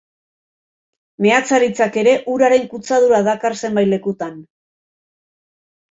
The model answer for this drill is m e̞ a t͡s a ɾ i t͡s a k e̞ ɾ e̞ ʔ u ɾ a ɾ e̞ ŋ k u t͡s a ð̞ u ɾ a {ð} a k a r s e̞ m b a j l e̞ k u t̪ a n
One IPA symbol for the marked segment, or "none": ð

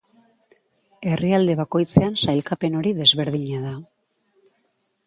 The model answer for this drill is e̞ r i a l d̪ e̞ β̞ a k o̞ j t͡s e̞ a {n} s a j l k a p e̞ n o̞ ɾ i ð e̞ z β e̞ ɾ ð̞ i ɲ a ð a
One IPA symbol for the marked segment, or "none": n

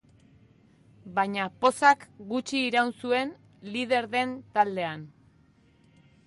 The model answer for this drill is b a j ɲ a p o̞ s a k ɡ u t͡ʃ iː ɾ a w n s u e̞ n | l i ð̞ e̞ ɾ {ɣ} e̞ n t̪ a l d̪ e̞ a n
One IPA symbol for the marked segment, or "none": ð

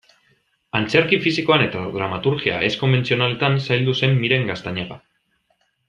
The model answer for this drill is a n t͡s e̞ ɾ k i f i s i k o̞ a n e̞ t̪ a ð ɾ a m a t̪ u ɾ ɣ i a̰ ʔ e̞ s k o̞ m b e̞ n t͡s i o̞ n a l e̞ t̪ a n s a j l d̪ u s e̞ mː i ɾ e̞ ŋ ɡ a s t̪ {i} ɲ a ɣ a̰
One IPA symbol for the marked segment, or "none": a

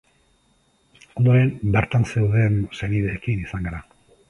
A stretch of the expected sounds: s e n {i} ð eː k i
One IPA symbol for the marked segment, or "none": i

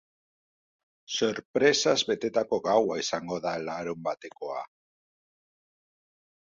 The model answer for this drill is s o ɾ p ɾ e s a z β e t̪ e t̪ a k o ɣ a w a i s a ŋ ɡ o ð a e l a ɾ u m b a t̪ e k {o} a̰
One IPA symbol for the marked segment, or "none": o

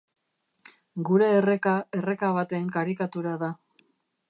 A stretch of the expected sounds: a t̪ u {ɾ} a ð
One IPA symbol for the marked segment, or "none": ɾ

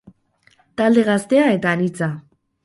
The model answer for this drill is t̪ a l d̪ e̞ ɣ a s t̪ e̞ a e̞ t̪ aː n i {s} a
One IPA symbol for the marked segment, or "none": t͡s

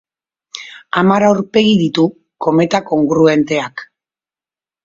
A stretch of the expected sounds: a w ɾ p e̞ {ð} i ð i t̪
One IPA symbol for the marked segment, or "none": ɣ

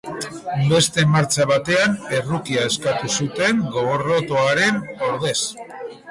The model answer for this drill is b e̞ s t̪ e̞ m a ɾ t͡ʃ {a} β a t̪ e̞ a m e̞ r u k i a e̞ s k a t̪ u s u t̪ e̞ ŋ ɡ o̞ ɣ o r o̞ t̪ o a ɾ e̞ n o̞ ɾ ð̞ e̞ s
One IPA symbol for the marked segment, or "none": a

